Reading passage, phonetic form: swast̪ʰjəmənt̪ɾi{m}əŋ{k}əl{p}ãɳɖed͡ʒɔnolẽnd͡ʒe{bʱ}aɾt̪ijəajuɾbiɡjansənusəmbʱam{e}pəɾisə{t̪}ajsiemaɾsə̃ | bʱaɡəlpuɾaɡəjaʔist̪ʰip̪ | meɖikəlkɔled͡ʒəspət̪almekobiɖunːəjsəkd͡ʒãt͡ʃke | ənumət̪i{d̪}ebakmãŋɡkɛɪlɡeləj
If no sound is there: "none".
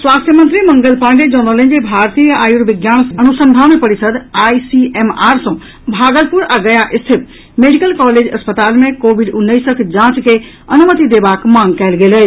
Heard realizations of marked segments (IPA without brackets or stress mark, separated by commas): m, ɡ, p, bʱ, e, d̪, d̪